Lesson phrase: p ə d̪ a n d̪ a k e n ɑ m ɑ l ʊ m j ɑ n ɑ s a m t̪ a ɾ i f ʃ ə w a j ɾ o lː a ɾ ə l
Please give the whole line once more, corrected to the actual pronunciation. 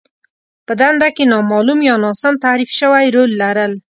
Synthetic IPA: p ə d̪ a n d̪ a k e n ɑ m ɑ l u m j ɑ n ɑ s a m t̪ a ɾ i f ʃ ə w a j ɾ o lː a ɾ ə l